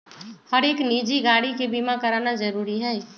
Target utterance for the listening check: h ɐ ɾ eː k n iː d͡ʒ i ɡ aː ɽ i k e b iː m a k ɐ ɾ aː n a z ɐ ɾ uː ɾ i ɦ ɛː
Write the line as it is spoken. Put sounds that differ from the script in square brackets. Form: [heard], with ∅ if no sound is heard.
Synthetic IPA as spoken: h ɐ ɾ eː k n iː d͡ʒ i ɡ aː ɽ i k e b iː m a k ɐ ɾ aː n a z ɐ ɾ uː ɾ i ɦ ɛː

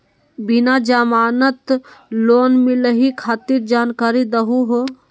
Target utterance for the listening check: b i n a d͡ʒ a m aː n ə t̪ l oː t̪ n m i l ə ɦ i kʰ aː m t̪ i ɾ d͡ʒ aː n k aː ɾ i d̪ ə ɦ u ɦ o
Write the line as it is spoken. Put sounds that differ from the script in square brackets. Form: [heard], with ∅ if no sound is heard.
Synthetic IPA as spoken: b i n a d͡ʒ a m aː n ə t̪ l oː [∅] n m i l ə ɦ i kʰ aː [∅] t̪ i ɾ d͡ʒ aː n k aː ɾ i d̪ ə ɦ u ɦ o

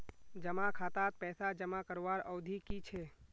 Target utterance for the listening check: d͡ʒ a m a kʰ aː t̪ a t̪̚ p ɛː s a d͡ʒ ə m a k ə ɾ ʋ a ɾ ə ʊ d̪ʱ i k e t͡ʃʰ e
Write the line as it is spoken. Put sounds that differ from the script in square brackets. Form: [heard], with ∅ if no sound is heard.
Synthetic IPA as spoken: d͡ʒ [ə] m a kʰ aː t̪ a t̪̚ p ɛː s a d͡ʒ ə m a k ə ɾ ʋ a ɾ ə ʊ d̪ʱ i k [i] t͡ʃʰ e

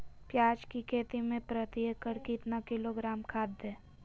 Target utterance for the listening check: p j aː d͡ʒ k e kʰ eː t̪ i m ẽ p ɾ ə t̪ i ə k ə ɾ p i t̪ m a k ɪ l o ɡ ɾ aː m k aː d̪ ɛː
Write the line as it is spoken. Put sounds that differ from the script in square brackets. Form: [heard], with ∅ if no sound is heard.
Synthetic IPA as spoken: p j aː d͡ʒ k [i] kʰ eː t̪ i m ẽ p ɾ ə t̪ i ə k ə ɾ [k] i t̪ [n] a k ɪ l o ɡ ɾ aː m [kʰ] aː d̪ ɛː

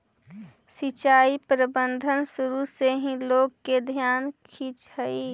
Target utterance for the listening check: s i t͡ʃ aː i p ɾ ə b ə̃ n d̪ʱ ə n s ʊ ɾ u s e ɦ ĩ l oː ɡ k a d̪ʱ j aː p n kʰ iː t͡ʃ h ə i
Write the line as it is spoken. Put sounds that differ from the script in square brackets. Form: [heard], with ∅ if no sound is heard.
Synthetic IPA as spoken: s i t͡ʃ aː i p ɾ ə b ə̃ n d̪ʱ ə n s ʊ ɾ u s e ɦ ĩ l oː ɡ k [e] d̪ʱ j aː [∅] n kʰ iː t͡ʃ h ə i

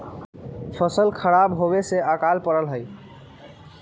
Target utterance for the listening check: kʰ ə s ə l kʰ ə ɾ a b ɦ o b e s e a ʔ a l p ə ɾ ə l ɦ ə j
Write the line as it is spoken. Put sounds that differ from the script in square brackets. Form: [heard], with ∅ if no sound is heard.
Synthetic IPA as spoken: [pʰ] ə s ə l kʰ ə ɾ a b ɦ o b e s e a [k] a l p ə ɾ ə l ɦ ə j

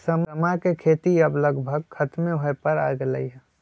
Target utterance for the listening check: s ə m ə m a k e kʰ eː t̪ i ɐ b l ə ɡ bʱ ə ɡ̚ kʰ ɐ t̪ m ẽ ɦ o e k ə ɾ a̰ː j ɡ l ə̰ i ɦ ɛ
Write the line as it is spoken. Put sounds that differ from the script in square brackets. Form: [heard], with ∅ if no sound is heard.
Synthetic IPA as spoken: s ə m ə m a k e kʰ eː t̪ i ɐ b l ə ɡ bʱ ə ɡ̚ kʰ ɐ t̪ m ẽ ɦ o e [p] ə ɾ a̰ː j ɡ l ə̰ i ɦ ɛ

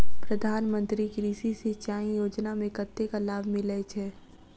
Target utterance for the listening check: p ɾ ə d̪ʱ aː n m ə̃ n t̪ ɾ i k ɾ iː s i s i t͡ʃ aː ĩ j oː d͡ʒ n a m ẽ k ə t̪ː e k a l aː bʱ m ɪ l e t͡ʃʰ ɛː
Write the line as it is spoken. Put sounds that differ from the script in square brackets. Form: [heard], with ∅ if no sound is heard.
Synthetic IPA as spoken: p ɾ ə d̪ʱ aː n m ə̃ n t̪ ɾ i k ɾ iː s i s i t͡ʃ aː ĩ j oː d͡ʒ n a m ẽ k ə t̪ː e k a l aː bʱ m ɪ l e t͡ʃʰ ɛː

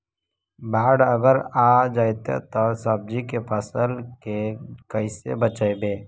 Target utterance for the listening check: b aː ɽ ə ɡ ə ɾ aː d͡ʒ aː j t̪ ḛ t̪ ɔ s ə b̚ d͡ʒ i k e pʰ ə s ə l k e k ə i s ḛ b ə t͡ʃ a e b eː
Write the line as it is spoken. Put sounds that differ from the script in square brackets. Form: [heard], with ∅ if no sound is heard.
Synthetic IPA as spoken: b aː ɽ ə ɡ ə ɾ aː d͡ʒ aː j t̪ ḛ t̪ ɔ s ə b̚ d͡ʒ i k e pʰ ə s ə l k e k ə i s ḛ b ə t͡ʃ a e b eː

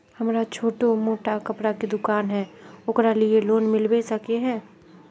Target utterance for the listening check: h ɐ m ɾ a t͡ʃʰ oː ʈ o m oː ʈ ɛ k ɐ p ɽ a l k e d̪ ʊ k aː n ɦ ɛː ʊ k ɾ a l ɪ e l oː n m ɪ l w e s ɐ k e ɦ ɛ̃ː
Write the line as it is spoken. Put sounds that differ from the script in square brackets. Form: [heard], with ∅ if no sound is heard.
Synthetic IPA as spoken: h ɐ m ɾ a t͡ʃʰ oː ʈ o m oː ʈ [a] k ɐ p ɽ a [∅] k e d̪ ʊ k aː n ɦ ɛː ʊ k ɾ a l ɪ e l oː n m ɪ l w e s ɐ k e ɦ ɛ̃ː

